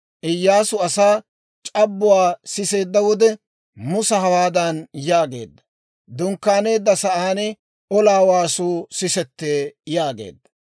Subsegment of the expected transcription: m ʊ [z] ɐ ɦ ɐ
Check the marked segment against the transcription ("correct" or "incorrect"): incorrect